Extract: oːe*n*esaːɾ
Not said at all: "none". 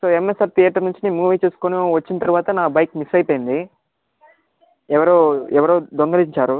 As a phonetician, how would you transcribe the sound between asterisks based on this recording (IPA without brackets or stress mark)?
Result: m